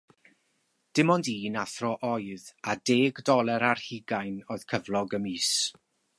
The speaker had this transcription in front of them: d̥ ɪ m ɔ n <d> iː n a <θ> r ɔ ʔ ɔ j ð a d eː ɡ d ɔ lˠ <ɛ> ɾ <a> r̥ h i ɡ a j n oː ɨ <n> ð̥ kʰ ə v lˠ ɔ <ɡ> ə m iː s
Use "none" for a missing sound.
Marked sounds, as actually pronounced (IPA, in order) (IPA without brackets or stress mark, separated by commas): d, θ, ɛ, a, none, ɡ